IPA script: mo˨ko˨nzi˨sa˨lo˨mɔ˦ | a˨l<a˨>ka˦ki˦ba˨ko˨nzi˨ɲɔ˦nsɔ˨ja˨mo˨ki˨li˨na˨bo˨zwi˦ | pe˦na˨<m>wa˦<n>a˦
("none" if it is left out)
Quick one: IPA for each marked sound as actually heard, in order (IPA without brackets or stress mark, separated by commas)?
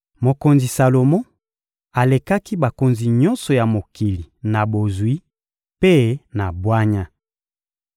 e˨, b, ɲ